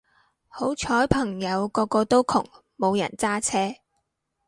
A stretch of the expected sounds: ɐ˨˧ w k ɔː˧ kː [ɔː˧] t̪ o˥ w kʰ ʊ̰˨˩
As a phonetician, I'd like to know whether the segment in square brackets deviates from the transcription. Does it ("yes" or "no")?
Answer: no